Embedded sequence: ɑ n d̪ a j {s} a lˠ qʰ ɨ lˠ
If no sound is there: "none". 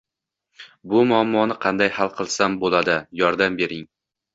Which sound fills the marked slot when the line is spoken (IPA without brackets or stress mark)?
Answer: h